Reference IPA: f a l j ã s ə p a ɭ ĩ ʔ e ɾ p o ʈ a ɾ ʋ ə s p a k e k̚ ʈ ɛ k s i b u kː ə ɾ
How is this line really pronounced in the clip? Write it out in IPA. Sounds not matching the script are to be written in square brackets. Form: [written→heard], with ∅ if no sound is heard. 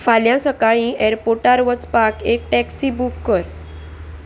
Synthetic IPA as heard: f a l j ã s ə [p→k] a ɭ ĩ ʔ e ɾ p o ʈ a ɾ ʋ ə [s→t͡s] p a k e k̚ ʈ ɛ k s i b u kː ə ɾ

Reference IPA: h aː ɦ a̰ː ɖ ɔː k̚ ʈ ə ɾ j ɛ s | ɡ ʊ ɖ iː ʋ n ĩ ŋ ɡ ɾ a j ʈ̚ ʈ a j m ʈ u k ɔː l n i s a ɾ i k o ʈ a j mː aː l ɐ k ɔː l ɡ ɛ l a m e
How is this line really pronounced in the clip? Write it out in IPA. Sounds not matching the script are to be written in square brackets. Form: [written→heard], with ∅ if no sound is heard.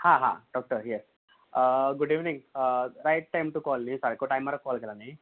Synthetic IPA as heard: h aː ɦ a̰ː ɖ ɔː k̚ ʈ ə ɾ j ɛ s | ɡ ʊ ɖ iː ʋ n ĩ ŋ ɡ ɾ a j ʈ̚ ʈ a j m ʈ u k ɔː l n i s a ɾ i k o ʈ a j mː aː [l→ɾ] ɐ k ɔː l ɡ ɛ l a [m→n] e

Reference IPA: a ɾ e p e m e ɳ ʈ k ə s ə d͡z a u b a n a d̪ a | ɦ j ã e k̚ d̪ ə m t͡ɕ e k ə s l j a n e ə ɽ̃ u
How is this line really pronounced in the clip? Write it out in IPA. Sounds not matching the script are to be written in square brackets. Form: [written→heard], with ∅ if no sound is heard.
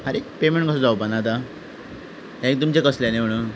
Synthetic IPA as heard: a ɾ e p e m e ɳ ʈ k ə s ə d͡z a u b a n a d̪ a | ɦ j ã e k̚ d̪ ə m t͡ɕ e k ə s l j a n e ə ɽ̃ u

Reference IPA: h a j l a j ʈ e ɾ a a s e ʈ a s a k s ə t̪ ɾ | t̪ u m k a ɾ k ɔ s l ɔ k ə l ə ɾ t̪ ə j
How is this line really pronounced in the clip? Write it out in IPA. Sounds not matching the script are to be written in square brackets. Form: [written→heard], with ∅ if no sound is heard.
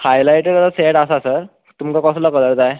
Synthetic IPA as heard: h a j l a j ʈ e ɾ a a s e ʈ a s a [k→∅] s ə [t̪→∅] ɾ | t̪ u m k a [ɾ→∅] k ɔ s l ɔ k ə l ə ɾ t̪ [ə→a] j

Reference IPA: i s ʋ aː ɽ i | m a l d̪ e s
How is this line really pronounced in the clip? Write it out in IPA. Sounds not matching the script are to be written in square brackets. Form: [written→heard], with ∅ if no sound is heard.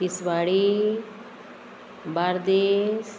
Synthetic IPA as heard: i s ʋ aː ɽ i | [m→b] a [l→ɾ] d̪ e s

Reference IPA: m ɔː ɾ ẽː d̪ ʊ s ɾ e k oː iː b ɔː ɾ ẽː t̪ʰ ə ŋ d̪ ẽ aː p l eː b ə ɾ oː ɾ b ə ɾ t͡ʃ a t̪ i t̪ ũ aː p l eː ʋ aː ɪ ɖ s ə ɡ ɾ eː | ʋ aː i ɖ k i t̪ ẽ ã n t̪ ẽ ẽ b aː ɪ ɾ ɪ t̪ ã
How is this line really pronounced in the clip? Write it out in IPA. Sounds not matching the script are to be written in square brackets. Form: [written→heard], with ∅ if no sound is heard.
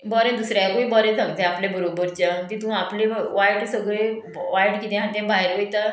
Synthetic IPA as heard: [m→b] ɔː ɾ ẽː d̪ ʊ s ɾ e k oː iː b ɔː ɾ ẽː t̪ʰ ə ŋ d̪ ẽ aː p l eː b ə ɾ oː [ɾ→∅] b ə ɾ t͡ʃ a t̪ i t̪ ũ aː p l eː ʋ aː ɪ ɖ s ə ɡ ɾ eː | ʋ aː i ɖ k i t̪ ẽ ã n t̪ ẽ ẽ b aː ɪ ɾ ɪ t̪ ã

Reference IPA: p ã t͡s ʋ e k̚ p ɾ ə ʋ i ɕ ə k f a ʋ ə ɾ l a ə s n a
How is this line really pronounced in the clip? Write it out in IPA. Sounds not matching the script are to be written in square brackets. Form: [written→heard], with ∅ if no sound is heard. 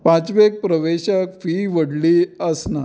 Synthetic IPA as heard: p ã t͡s ʋ e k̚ p ɾ ə ʋ [i→e] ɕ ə k f [a→i] ʋ ə [ɾ→ɽ] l [a→i] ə s n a

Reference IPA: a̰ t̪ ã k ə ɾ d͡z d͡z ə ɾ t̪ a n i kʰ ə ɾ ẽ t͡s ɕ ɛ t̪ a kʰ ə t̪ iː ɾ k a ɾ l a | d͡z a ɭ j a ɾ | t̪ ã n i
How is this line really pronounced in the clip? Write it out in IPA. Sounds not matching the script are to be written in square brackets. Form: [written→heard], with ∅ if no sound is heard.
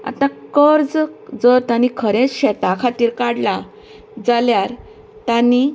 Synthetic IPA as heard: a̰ t̪ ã k ə ɾ d͡z d͡z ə ɾ t̪ a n i kʰ ə ɾ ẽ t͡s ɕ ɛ t̪ a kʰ [ə→a] t̪ iː ɾ k a [ɾ→ɽ] l a | d͡z a [ɭ→l] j a ɾ | t̪ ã n i

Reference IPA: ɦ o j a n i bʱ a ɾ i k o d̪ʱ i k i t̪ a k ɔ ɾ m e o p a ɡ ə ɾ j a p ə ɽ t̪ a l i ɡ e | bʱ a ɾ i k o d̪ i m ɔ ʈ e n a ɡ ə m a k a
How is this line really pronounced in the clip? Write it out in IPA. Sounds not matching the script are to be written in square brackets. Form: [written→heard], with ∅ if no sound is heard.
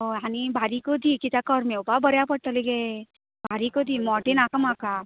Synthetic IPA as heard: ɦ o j a n i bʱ a ɾ i k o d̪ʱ i k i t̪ a k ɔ ɾ m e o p a [ɡ→b] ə ɾ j a p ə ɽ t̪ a l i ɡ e | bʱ a ɾ i k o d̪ i m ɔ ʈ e n a [ɡ→k] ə m a k a

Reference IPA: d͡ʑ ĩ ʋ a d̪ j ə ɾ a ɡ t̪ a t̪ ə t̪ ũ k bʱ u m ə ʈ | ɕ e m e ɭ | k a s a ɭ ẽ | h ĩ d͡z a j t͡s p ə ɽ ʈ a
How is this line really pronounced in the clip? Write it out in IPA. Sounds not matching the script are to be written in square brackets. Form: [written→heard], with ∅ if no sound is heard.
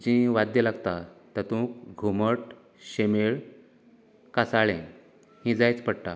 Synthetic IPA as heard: d͡ʑ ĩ ʋ a d̪ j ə [ɾ→l] a ɡ t̪ a t̪ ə t̪ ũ k [bʱ→ɡʱ] u m ə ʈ | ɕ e m e ɭ | k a s a ɭ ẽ | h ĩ d͡z a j t͡s p ə ɽ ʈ a

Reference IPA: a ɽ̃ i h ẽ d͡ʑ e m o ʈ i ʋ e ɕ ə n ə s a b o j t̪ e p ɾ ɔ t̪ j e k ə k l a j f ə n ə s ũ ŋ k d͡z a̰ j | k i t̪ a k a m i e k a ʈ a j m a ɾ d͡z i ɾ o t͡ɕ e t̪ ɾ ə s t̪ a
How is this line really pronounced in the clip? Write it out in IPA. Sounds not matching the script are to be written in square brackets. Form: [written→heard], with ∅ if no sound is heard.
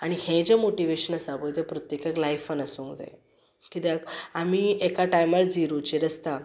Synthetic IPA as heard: a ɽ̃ i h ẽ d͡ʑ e m o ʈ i ʋ e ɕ ə n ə s a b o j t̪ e p ɾ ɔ t̪ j e k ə k l a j f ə n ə s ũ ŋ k d͡z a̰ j | k i t̪ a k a m i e k a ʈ a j m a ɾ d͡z i ɾ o t͡ɕ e [t̪→∅] ɾ ə s t̪ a

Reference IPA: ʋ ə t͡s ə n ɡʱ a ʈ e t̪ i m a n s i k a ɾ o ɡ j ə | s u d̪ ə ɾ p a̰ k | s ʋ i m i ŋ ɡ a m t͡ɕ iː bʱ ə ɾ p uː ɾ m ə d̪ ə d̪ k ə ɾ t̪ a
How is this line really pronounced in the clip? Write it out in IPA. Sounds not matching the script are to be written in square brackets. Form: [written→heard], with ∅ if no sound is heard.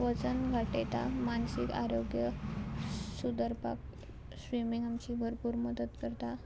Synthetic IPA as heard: ʋ ə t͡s ə n ɡʱ a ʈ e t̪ [i→a] m a n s i k a ɾ o ɡ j ə | s u d̪ ə ɾ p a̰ k | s ʋ i m i ŋ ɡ a m t͡ɕ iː bʱ ə ɾ p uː ɾ m ə d̪ ə [d̪→t̪] k ə ɾ t̪ a

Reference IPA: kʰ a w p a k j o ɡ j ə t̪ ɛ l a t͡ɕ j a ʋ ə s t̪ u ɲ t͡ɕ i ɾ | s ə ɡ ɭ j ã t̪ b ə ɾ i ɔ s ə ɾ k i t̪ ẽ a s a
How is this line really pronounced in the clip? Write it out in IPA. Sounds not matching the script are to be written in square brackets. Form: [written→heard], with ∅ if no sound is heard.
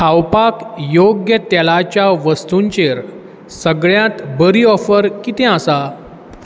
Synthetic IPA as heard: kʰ a w p a k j o ɡ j ə t̪ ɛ l a t͡ɕ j a ʋ ə s t̪ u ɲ t͡ɕ [i→e] ɾ | s ə ɡ ɭ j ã t̪ b ə ɾ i ɔ [s→f] ə ɾ k i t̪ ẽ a s a

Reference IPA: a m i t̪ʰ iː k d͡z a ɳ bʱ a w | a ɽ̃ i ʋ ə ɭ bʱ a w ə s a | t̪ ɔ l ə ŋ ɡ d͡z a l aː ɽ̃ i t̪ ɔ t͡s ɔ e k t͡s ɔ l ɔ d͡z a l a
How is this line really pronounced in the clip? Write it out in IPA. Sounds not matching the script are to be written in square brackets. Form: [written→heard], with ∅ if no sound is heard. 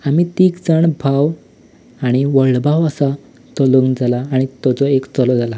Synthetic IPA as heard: a m i [t̪ʰ→t̪] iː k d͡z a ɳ bʱ a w | a ɽ̃ i ʋ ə ɭ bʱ a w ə s a | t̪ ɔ l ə ŋ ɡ d͡z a l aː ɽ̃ i t̪ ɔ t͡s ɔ e k t͡s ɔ l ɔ d͡z a l a

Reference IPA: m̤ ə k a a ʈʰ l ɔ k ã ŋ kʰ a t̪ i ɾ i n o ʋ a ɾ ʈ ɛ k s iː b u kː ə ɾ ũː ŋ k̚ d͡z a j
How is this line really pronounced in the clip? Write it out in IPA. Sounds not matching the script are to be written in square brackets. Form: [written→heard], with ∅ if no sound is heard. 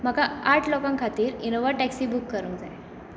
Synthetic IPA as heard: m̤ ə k a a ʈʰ l ɔ k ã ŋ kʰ a t̪ [i→iː] ɾ i n o ʋ [a→ə] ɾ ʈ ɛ k s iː b u kː ə ɾ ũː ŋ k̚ d͡z a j

